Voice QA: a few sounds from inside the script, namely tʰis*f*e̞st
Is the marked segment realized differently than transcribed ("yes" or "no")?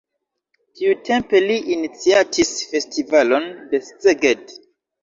no